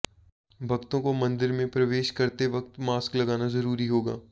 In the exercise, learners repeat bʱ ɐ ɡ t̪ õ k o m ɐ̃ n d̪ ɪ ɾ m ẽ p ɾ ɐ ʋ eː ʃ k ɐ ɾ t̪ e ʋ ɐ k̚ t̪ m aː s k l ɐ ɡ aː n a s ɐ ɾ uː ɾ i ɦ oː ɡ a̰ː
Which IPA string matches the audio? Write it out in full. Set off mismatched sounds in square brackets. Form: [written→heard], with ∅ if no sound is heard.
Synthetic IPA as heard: bʱ ɐ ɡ t̪ õ k o m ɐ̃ n d̪ ɪ ɾ m ẽ p ɾ ɐ ʋ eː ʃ k ɐ ɾ t̪ e ʋ ɐ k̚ t̪ m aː s k l ɐ ɡ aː n a [s→z] ɐ ɾ uː ɾ i ɦ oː ɡ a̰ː